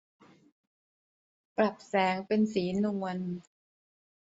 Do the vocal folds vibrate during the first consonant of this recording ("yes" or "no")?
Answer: no